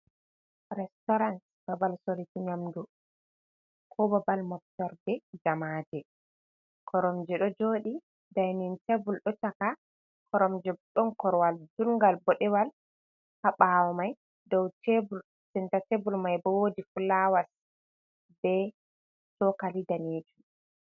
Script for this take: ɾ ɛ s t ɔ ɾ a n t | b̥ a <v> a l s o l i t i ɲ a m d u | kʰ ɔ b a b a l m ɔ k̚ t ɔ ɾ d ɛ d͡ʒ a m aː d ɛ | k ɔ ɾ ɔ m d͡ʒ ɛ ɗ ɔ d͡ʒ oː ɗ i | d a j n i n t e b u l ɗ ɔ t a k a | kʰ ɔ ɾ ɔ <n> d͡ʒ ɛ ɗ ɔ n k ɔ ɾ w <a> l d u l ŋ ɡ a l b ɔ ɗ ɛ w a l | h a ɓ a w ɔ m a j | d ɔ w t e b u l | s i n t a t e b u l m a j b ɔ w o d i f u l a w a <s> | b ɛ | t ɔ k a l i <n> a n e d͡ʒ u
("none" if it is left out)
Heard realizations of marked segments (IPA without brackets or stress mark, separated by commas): b, m, a, s, d